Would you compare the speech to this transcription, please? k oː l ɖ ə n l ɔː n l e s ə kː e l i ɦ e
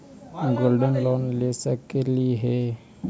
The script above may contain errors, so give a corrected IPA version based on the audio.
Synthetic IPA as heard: ɡ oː l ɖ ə n l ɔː n l e s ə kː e l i ɦ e